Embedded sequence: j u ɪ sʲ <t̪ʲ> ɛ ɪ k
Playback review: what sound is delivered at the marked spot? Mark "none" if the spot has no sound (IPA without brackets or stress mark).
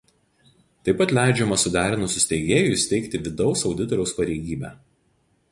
t̪ʲ